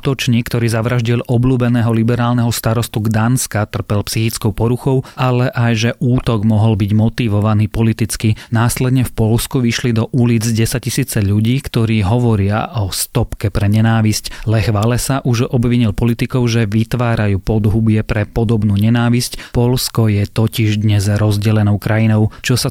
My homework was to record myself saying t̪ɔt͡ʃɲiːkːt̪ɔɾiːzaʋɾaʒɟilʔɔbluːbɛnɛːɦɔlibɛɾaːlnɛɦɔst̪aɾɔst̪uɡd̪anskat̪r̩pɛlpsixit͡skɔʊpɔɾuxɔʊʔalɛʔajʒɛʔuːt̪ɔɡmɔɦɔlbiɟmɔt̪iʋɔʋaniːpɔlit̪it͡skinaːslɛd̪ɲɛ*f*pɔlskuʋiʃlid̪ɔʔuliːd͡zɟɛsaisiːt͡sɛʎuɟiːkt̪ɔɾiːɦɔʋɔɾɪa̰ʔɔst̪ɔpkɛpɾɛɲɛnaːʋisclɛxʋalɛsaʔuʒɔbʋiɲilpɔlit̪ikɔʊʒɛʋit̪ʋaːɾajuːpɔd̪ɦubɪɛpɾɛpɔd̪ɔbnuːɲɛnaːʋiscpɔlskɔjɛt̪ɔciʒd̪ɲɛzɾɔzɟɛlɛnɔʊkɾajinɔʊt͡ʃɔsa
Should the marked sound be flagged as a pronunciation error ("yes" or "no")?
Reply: no